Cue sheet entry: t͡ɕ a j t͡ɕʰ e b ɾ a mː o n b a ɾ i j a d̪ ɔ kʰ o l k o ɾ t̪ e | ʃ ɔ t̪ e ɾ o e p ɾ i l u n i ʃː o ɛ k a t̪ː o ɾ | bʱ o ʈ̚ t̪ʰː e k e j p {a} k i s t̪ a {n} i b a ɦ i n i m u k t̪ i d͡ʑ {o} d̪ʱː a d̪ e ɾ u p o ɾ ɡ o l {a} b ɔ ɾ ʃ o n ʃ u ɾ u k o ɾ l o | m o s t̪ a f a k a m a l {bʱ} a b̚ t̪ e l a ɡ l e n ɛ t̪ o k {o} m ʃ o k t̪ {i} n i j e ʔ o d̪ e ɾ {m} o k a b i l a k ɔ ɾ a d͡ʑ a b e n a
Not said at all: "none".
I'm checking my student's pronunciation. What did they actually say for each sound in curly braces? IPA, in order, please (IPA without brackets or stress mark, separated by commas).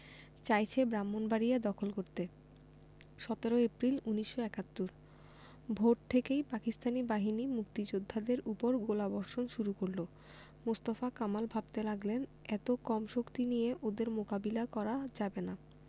a, n, o, a, bʱ, ɔ, i, m